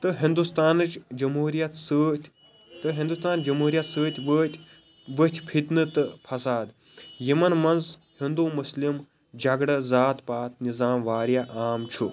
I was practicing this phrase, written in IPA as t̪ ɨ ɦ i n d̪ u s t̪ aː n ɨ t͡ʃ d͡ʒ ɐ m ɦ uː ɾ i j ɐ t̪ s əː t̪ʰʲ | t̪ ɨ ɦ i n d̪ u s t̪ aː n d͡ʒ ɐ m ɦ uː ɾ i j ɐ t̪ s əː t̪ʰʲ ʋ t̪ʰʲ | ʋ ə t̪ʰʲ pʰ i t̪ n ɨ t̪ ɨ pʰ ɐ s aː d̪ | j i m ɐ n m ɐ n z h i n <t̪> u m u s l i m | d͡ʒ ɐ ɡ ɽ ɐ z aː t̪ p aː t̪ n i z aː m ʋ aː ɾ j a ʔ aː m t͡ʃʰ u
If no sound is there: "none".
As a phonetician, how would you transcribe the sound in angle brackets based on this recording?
d̪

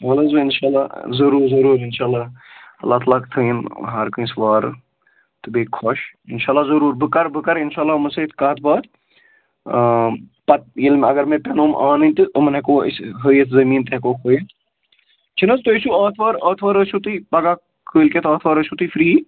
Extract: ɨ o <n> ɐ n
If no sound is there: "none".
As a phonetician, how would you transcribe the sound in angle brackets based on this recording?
m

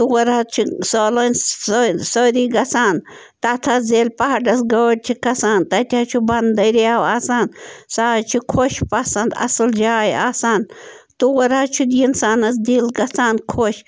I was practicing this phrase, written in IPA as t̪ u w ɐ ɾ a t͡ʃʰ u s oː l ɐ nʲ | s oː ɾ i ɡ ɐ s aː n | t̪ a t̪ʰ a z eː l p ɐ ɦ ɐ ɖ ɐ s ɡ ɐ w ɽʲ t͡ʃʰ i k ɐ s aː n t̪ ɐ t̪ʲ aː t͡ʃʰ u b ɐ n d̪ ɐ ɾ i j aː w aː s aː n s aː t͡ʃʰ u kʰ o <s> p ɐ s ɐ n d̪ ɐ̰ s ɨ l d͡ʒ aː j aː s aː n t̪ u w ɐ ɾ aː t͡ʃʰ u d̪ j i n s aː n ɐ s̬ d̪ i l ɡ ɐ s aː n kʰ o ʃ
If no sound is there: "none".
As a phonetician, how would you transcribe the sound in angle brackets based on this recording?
ʃ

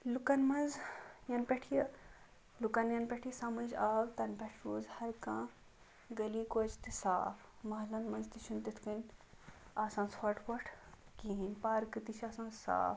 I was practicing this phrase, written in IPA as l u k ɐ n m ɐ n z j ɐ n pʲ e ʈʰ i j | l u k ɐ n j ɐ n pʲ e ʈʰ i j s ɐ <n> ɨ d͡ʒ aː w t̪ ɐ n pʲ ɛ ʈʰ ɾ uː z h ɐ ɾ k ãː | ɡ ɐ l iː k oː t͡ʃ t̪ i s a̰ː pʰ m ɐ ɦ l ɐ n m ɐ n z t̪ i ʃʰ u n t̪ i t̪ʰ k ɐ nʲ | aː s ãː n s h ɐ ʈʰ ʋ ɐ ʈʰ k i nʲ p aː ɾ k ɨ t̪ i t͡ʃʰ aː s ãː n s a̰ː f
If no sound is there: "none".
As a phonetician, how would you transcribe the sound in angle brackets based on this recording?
m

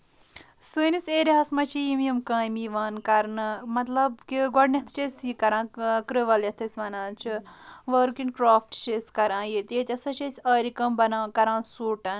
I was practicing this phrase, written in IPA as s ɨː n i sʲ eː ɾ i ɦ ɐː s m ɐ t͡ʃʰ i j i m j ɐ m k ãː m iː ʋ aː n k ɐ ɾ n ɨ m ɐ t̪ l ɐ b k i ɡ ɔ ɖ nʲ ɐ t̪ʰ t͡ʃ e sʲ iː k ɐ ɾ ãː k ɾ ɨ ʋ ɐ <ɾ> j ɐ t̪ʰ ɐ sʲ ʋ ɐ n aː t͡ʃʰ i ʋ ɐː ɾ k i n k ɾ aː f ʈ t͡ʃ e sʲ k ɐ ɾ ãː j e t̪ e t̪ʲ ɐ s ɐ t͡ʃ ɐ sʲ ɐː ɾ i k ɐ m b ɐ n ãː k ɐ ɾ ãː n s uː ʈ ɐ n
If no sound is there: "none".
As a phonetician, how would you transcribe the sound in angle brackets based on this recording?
l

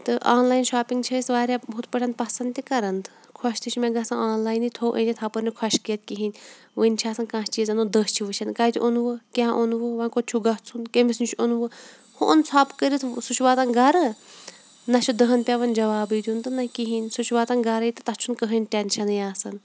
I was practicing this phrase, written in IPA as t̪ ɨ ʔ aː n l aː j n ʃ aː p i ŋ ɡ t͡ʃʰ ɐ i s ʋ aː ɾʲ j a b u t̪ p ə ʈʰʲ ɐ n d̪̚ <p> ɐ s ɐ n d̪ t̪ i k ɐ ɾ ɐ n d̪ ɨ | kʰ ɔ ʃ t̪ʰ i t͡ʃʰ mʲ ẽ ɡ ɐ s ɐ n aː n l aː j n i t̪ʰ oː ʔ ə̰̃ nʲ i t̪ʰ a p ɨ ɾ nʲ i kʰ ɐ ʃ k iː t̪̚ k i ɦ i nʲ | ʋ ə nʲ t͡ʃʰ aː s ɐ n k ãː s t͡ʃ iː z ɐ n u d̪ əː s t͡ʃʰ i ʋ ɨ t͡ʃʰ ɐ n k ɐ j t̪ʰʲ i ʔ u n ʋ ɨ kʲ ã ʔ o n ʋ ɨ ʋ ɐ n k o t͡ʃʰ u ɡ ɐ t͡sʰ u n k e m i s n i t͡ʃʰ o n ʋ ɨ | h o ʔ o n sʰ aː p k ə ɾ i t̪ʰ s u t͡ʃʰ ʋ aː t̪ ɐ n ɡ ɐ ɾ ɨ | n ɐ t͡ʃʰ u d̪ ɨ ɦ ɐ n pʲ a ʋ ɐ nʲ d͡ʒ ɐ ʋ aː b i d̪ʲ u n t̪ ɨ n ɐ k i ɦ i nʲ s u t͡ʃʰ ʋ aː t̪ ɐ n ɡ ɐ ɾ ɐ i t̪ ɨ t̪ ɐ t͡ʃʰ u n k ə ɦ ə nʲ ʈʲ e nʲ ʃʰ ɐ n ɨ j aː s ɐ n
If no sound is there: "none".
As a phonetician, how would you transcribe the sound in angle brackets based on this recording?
p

